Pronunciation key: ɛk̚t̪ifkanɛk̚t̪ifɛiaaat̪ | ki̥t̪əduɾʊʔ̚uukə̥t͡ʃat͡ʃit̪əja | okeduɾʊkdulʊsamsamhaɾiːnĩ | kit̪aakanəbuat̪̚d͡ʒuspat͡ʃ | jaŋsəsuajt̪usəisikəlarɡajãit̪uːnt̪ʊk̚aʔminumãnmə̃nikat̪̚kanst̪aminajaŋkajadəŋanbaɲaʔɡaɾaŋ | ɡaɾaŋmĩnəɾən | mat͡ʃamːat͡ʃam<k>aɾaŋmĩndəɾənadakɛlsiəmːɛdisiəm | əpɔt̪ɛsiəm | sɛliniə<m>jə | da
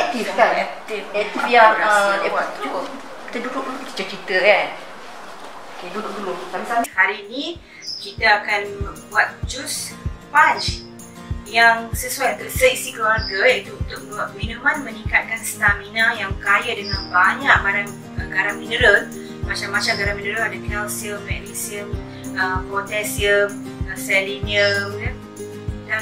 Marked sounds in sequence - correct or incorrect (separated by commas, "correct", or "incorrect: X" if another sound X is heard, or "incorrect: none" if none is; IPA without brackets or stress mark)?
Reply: incorrect: ɡ, correct